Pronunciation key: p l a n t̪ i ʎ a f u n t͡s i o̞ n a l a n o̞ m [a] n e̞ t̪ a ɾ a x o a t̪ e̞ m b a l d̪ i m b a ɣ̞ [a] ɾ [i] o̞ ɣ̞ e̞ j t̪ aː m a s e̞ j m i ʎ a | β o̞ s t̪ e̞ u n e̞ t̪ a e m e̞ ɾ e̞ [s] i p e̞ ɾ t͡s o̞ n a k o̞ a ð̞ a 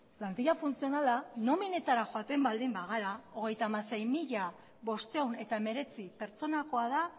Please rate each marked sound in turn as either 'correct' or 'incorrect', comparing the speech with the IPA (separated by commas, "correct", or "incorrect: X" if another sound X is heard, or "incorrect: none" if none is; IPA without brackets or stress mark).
incorrect: i, correct, incorrect: a, incorrect: t͡s